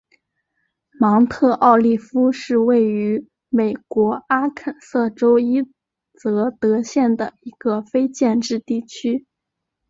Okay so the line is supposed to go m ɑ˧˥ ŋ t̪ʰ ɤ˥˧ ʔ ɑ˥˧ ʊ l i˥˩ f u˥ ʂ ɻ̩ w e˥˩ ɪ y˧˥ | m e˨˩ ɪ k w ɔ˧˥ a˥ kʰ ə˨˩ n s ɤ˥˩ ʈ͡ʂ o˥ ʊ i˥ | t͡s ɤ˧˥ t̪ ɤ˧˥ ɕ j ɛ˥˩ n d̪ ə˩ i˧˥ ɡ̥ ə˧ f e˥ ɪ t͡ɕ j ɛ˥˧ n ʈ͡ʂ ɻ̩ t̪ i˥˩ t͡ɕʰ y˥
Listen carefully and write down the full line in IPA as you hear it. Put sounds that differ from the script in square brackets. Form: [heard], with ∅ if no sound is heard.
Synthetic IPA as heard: m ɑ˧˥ ŋ t̪ʰ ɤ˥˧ ʔ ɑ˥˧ ʊ l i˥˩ f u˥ ʂ ɻ̩ w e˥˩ ɪ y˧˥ | m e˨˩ ɪ k w ɔ˧˥ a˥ kʰ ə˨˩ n s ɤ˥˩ ʈ͡ʂ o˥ ʊ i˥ | t͡s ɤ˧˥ t̪ ɤ˧˥ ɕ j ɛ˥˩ n d̪ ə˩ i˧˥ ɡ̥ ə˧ f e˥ ɪ t͡ɕ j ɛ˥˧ n ʈ͡ʂ ɻ̩ t̪ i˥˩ t͡ɕʰ y˥